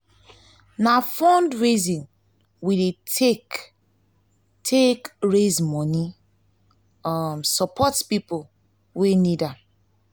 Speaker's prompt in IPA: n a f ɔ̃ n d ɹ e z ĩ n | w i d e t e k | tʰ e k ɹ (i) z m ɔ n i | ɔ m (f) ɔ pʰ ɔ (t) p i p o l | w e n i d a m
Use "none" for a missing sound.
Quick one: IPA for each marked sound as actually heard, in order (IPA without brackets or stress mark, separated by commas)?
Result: e, s, t